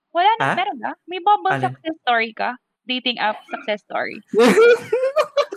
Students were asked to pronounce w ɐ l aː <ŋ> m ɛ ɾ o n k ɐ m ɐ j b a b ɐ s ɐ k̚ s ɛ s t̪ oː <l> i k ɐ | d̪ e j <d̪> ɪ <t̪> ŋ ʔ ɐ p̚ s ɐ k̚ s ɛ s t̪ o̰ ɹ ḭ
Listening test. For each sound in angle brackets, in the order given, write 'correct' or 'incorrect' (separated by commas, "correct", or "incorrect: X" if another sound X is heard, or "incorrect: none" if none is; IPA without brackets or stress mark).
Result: incorrect: n, incorrect: ɹ, incorrect: t̪, incorrect: none